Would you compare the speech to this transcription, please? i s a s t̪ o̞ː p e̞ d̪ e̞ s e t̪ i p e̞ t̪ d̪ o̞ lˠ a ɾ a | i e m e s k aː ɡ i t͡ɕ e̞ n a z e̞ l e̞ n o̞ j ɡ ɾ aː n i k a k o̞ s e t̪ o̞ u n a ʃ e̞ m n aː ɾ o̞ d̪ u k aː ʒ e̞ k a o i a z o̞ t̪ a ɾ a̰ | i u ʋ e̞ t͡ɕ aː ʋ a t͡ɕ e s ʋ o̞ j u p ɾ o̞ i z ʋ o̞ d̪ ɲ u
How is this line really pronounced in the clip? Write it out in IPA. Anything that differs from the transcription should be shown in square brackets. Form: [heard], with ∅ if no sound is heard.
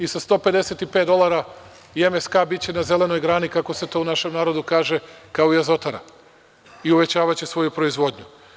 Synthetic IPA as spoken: i s a s t̪ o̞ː p e̞ d̪ e̞ s e t̪ i p e̞ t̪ d̪ o̞ lˠ a ɾ a | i e m e s k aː [b] i t͡ɕ e̞ n a z e̞ l e̞ n o̞ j ɡ ɾ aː n i k a k o̞ s e t̪ o̞ u n a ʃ e̞ m n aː ɾ o̞ d̪ u k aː ʒ e̞ k a o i a z o̞ t̪ a ɾ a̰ | i u ʋ e̞ t͡ɕ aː ʋ a t͡ɕ e s ʋ o̞ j u p ɾ o̞ i z ʋ o̞ d̪ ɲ u

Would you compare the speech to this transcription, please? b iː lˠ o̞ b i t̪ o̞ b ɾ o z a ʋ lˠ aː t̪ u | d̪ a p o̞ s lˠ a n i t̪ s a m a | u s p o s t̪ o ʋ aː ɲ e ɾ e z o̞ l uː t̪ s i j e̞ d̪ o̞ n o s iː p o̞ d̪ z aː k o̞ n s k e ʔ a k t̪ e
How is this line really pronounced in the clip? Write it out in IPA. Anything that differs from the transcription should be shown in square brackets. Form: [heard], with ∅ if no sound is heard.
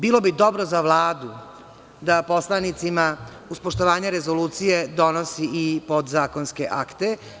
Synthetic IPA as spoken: b iː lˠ o̞ b i [d̪] o̞ b ɾ o z a ʋ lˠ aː [d̪] u | d̪ a p o̞ s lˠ a n i t̪ s [i] m a | u s p o [ʃ] t̪ o ʋ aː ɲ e ɾ e z o̞ l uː t̪ s i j e̞ d̪ o̞ n o s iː p o̞ d̪ z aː k o̞ n s k e ʔ a k t̪ e

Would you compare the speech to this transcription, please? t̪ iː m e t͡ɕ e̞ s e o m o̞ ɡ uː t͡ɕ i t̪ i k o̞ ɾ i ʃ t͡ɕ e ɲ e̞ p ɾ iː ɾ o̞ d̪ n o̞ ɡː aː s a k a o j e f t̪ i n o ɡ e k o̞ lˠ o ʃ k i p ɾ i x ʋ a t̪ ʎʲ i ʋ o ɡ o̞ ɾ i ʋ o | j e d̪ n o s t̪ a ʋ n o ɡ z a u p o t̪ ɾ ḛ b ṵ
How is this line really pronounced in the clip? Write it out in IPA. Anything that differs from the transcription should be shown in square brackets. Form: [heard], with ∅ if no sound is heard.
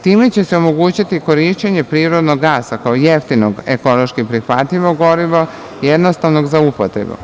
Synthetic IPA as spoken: t̪ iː m e t͡ɕ e̞ s e o m o̞ ɡ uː t͡ɕ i t̪ i k o̞ ɾ i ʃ t͡ɕ e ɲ e̞ p ɾ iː ɾ o̞ d̪ n o̞ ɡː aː s a k a o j e f t̪ i n o ɡ e k o̞ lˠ o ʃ k i p ɾ i x ʋ a t̪ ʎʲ i ʋ o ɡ o̞ ɾ i ʋ o | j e d̪ n o s t̪ a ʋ n o ɡ z a u p o t̪ ɾ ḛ b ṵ

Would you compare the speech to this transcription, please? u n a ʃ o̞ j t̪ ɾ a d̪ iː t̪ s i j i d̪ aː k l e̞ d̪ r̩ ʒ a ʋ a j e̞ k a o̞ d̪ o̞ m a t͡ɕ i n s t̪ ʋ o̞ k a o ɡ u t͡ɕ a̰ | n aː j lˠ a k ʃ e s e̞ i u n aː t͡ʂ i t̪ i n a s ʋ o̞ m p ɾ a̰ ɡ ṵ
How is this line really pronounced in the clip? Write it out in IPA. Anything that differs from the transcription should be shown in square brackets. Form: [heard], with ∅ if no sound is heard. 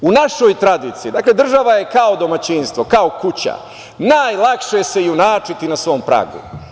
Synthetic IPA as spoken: u n a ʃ o̞ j t̪ ɾ a d̪ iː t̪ s i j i d̪ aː k l e̞ d̪ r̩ ʒ a ʋ a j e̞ k a o̞ d̪ o̞ m a t͡ɕ i n s t̪ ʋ o̞ k a o [k] u t͡ɕ a̰ | n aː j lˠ a k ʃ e s e̞ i u n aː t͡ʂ i t̪ i n a s ʋ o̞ m p ɾ a̰ ɡ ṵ

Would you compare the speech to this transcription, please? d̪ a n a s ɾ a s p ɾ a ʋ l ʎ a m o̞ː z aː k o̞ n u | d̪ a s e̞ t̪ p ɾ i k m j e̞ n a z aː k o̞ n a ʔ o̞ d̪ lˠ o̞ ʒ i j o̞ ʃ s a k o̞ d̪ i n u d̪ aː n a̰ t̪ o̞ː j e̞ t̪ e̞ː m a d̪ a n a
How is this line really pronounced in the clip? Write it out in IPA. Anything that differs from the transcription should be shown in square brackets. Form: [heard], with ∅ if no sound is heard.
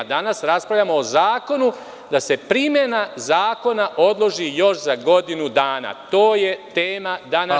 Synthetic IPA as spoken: d̪ a n a s ɾ a s p ɾ a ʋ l ʎ a m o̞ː z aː k o̞ n u | d̪ a s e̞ [∅] p ɾ i [∅] m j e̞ n a z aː k o̞ n a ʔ o̞ d̪ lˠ o̞ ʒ i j o̞ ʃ [z] a [ɡ] o̞ d̪ i n u d̪ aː n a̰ t̪ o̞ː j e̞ t̪ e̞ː m a d̪ a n a

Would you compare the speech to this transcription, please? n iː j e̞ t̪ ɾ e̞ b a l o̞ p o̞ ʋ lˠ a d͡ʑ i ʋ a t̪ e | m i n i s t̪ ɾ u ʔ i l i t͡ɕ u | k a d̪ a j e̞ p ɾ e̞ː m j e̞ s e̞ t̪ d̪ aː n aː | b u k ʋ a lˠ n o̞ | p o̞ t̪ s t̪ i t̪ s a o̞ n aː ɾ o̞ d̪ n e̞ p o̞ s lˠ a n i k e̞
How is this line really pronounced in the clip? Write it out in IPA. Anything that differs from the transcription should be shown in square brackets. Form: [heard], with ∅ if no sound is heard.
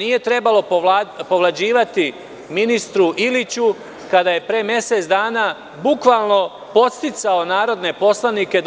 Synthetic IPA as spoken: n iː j e̞ t̪ ɾ e̞ b a l o̞ p o̞ ʋ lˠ a d͡ʑ [iː] ʋ a t̪ [i] | m i n i s t̪ ɾ u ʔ i l i t͡ɕ u | k a d̪ a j e̞ p ɾ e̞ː m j e̞ s e̞ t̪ d̪ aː n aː | b u k ʋ a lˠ n o̞ | p o̞ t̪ s t̪ i t̪ s a o̞ n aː ɾ o̞ d̪ n e̞ p o̞ s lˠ a n i k e̞

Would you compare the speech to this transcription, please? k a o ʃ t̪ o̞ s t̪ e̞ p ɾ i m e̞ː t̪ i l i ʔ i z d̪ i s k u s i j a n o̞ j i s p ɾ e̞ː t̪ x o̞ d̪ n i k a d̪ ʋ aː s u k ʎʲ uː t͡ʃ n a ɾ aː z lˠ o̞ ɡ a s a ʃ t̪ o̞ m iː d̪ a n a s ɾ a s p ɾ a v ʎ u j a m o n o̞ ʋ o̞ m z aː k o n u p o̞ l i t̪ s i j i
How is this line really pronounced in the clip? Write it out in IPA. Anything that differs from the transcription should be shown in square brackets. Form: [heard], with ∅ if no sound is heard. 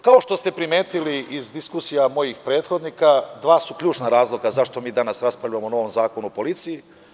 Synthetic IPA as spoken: k a o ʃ t̪ o̞ s t̪ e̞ p ɾ i m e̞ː t̪ i l i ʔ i z d̪ i s k u s i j a [m] o̞ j i [x] p ɾ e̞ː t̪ x o̞ d̪ n i k a d̪ ʋ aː s u k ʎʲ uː t͡ʃ n a ɾ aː z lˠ o̞ ɡ a [z] a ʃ t̪ o̞ m iː d̪ a n a s ɾ a s p ɾ a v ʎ u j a m o n o̞ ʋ o̞ m z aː k o n u p o̞ l i t̪ s i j i

